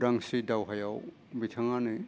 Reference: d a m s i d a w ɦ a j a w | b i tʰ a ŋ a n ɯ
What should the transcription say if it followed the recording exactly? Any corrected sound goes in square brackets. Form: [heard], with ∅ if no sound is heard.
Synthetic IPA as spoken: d a [ŋ] s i d a w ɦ a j a w | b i tʰ a ŋ a n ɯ